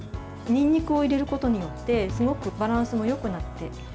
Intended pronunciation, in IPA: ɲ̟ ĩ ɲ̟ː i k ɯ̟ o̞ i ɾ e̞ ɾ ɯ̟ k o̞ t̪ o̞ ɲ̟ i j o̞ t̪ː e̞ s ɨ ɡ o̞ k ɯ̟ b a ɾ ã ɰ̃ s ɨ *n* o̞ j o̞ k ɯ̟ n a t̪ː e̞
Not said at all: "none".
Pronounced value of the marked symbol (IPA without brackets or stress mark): m